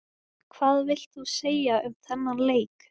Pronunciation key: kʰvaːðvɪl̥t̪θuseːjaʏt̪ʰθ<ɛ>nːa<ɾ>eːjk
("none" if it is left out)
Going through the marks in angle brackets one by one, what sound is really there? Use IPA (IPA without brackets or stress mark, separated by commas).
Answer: ɛ, l